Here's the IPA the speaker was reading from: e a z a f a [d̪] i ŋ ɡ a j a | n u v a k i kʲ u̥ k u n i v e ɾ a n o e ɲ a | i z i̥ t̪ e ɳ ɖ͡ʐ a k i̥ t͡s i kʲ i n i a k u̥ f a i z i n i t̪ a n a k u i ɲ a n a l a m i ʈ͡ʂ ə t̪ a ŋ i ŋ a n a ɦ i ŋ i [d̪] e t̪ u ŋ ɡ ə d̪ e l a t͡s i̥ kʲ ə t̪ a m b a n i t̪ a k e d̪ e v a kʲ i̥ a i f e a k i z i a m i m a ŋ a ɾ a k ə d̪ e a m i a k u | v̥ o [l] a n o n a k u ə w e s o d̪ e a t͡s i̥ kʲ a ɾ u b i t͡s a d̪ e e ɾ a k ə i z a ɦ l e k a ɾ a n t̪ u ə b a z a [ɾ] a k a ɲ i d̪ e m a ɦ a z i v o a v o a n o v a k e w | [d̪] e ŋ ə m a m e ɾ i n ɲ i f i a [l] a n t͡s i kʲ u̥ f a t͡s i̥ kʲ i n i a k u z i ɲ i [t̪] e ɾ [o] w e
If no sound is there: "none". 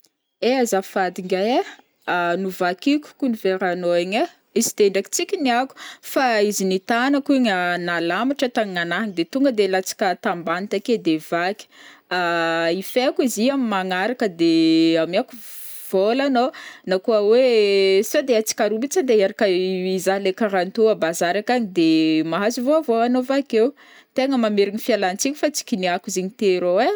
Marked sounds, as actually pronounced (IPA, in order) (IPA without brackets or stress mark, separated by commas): d̪, d̪, l, ɾ, t̪, l, t̪, o